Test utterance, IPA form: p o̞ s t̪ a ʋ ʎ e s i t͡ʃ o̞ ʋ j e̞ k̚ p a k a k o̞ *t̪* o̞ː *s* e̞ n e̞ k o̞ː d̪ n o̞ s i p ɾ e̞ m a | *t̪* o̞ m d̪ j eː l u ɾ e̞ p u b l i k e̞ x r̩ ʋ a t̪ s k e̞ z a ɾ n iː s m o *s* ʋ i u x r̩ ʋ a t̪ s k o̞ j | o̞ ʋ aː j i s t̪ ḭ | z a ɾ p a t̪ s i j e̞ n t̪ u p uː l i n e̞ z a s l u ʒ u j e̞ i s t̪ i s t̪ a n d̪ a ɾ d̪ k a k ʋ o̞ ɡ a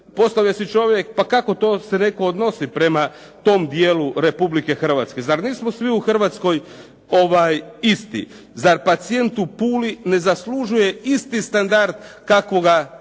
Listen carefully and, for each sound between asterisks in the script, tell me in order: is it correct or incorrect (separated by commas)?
correct, correct, correct, correct